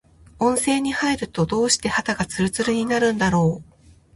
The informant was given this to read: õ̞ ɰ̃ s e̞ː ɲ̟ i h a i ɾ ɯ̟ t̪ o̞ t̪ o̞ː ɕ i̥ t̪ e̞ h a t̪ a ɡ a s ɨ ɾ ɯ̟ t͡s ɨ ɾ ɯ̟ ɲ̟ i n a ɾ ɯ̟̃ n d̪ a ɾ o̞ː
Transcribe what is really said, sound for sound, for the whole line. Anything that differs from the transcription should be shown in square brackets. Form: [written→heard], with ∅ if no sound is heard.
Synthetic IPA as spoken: õ̞ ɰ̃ s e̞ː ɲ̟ i h a i ɾ ɯ̟ t̪ o̞ [t̪→d̪] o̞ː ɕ i̥ t̪ e̞ h a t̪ a ɡ a [s→t͡s] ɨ ɾ ɯ̟ t͡s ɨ ɾ ɯ̟ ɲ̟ i n a ɾ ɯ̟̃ n d̪ a ɾ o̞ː